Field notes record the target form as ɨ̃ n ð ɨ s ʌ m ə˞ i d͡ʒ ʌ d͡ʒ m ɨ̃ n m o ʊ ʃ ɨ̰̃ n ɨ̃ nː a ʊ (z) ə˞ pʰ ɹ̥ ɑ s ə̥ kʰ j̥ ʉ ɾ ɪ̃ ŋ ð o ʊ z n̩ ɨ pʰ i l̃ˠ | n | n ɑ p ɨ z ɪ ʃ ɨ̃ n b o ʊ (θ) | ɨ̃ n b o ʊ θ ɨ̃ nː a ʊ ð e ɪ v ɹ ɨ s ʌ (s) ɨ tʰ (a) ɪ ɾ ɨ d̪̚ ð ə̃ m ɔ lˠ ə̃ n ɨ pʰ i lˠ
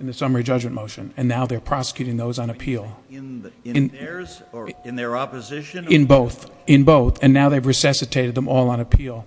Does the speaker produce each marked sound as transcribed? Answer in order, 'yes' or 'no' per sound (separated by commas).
no, yes, yes, no